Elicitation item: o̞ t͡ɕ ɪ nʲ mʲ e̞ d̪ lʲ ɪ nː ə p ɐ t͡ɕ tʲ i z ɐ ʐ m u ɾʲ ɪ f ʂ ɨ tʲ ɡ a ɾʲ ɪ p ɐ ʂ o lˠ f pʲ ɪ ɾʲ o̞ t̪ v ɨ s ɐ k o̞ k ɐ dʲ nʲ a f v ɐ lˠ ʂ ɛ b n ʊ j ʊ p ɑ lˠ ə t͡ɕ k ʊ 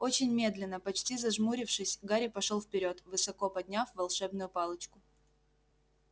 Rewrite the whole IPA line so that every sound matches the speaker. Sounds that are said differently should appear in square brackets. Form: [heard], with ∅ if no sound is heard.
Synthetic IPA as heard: o̞ t͡ɕ ɪ nʲ mʲ e̞ d̪ lʲ ɪ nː ə p ɐ t͡ɕ tʲ i z ɐ ʐ m u ɾʲ ɪ f ʂ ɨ [sʲ] ɡ a ɾʲ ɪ p ɐ ʂ o lˠ f pʲ ɪ ɾʲ o̞ t̪ v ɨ s ɐ k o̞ [p] ɐ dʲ nʲ a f v ɐ lˠ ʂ ɛ b n ʊ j ʊ p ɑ lˠ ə t͡ɕ k ʊ